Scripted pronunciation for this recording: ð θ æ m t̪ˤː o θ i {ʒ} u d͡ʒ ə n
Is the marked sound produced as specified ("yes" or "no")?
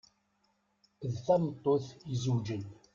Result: no